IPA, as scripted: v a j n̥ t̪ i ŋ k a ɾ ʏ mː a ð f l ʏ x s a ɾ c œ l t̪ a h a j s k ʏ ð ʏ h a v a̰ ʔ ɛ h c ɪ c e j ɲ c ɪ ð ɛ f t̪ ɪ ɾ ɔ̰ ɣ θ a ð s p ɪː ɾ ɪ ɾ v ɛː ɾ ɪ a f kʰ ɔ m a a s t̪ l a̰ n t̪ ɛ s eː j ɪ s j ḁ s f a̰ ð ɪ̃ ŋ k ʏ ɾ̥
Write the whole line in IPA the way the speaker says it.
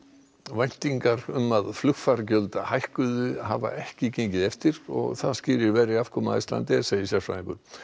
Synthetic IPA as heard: v a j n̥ t̪ i ŋ k a ɾ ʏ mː a ð f l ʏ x f a ɾ c œ l t̪ a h a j h k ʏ ð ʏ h a v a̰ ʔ ɛ h c ɪ c e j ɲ c ɪ ð ɛ f t̪ ɪ ɾ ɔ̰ ɣ θ a ð s c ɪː ɾ ɪ ɾ v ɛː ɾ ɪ a f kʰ ɔ m a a s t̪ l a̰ n t̪ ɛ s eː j ɪ s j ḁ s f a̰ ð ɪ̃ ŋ k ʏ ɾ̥